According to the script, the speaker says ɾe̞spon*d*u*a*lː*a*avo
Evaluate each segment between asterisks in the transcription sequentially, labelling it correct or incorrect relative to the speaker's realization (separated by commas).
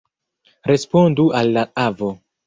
correct, correct, correct